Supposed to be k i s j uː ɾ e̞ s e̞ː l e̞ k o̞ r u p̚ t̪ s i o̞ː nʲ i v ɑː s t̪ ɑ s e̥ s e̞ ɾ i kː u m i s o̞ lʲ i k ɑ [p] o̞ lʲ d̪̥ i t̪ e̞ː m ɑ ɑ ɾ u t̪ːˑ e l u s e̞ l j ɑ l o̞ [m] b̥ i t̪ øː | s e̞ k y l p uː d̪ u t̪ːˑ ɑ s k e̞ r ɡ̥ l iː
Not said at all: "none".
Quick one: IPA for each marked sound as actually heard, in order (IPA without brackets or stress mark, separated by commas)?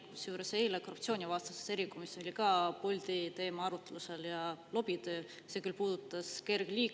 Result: p, none